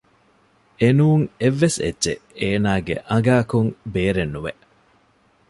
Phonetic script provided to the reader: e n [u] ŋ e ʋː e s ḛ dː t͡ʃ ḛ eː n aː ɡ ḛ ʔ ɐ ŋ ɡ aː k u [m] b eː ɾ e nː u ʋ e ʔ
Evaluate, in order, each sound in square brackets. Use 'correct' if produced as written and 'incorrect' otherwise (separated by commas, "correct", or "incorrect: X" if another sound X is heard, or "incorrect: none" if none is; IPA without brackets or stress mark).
incorrect: uː, incorrect: ŋ